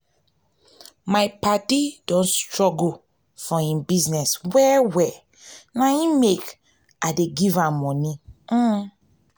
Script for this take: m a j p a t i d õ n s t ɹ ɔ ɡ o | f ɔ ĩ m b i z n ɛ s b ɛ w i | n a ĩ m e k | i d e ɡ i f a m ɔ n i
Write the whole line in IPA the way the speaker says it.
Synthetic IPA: m a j p a t i d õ n s t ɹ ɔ ɡ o | f ɔ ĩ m b i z n ɛ s w ɛ w ɛ | n a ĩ m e k | a d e ɡ i v a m ɔ n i